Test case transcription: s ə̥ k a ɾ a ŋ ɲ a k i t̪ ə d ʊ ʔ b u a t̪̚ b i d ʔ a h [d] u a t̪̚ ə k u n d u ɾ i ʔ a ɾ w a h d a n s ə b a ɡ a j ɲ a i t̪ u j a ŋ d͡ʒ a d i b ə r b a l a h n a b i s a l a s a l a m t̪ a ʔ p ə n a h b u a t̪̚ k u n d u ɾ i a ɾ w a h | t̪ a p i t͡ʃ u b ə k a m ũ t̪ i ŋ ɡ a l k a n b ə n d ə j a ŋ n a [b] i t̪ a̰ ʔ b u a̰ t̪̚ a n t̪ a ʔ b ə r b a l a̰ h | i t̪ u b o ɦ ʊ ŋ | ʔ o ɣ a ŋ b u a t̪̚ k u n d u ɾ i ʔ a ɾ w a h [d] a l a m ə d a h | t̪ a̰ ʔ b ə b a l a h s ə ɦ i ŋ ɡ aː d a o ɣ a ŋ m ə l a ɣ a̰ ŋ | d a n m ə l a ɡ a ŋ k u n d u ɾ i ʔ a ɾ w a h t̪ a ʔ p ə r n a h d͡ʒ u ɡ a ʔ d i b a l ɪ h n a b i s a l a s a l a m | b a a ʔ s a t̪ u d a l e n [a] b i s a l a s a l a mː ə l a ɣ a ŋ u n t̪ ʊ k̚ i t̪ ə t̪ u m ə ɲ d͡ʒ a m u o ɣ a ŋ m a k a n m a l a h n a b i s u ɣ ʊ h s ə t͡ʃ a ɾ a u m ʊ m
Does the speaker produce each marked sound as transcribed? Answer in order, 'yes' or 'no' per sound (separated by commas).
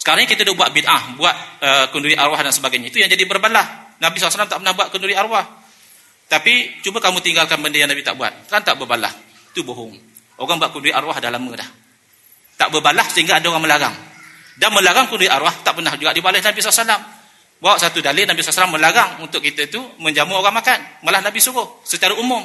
no, yes, yes, yes